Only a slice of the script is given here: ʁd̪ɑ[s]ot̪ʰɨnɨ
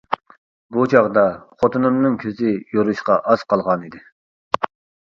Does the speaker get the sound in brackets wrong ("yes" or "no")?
yes